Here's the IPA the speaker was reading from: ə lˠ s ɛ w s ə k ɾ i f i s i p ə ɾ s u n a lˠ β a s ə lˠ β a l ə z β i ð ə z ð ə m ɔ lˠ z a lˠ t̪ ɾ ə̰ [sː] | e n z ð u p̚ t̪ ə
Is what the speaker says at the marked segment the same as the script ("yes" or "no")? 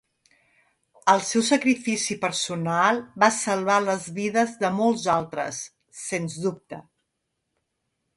yes